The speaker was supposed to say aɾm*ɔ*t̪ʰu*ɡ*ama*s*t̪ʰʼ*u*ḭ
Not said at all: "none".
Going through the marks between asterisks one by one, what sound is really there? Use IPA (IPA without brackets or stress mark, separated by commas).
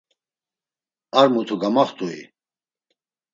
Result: u, ɡ, χ, u